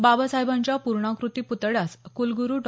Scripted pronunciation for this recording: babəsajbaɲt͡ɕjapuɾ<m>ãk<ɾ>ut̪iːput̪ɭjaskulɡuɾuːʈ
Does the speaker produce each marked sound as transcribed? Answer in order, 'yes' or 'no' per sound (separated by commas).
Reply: no, yes